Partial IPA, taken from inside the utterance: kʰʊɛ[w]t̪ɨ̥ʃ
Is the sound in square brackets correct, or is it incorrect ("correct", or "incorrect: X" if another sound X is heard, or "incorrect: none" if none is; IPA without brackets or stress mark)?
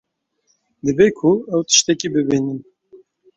correct